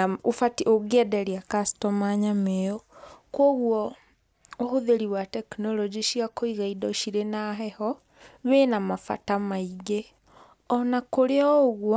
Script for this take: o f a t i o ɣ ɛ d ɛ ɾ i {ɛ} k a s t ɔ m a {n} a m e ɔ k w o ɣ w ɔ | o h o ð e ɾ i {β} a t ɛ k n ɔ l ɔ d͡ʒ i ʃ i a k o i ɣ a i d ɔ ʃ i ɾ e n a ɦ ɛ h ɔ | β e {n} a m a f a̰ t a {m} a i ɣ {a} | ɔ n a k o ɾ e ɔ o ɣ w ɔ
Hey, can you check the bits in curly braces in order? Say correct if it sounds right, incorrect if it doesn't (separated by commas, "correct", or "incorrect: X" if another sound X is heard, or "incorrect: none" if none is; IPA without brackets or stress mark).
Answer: incorrect: a, incorrect: ɲ, incorrect: w, correct, correct, incorrect: e